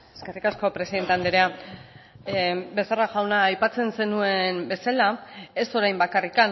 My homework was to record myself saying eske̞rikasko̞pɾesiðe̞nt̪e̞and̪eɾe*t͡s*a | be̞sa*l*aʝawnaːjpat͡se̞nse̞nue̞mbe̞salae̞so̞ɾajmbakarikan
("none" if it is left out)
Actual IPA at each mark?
none, r

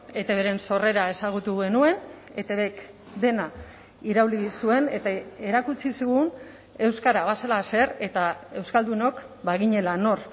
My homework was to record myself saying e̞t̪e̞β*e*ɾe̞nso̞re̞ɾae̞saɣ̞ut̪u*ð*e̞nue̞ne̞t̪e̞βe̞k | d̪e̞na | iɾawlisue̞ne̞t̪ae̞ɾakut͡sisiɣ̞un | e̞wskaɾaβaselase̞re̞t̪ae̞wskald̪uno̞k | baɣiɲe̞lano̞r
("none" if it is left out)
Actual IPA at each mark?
e, ɣ

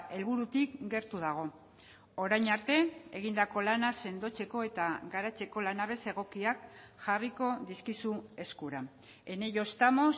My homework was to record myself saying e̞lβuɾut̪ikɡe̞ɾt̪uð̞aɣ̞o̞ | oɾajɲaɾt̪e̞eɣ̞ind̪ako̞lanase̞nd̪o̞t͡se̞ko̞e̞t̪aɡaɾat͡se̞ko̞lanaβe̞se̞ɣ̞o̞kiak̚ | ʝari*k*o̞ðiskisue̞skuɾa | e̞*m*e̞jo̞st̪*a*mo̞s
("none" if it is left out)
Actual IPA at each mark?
k, n, a

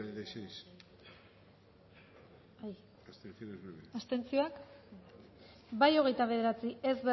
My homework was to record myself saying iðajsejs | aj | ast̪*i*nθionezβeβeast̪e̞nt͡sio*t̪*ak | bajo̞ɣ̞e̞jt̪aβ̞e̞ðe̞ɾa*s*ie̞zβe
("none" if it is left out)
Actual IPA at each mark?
e, none, t͡s

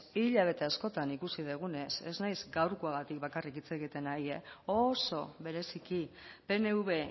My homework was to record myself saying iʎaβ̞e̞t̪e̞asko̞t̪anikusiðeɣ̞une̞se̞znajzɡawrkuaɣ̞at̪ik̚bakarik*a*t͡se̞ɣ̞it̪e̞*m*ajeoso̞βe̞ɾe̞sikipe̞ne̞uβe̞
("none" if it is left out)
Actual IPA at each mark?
i, n

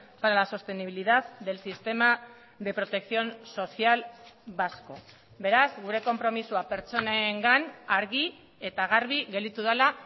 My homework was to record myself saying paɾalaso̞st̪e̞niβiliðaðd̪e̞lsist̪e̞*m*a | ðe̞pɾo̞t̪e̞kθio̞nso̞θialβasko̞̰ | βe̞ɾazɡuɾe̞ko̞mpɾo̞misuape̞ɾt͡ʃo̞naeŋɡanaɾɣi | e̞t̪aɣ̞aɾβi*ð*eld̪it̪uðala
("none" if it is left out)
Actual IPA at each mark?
m, ɣ

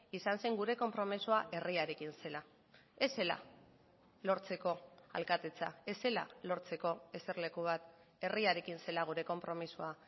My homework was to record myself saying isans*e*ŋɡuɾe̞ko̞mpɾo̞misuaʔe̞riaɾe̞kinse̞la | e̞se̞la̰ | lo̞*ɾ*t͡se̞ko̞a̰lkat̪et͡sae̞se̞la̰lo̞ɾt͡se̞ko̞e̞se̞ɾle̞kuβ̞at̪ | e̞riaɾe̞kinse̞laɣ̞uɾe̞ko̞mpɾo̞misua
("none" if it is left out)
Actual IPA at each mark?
e, ɾ

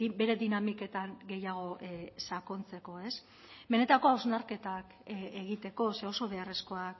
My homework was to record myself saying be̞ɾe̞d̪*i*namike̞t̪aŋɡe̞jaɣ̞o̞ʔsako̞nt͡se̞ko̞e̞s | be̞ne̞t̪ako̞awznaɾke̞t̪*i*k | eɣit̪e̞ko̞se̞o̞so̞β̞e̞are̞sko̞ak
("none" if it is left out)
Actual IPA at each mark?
i, a

